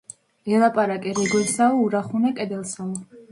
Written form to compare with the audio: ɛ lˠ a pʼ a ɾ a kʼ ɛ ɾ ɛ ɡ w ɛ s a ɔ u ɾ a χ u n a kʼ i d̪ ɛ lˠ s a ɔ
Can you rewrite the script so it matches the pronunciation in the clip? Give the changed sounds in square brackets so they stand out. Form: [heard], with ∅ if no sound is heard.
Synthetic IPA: ɛ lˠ a pʼ a ɾ a kʼ ɛ ɾ ɛ ɡ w ɛ s a ɔ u ɾ a χ u n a kʼ [ɛ] d̪ ɛ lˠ s a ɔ